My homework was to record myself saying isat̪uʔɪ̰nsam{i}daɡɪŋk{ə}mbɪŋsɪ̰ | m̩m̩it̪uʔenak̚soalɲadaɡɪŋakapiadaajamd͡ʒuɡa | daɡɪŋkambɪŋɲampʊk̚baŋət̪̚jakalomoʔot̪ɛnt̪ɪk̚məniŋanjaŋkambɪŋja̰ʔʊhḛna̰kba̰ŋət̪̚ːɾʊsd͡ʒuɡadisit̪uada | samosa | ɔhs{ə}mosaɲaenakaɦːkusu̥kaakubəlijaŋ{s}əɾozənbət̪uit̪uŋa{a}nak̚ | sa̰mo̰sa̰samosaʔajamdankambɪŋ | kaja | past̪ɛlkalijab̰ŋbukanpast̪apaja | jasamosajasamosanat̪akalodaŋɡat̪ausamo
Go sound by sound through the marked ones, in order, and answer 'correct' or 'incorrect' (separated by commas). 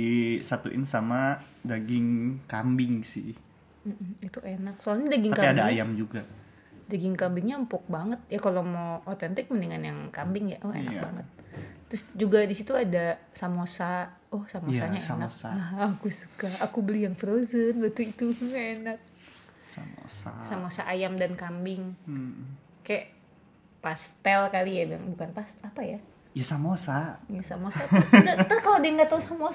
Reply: incorrect, incorrect, incorrect, incorrect, incorrect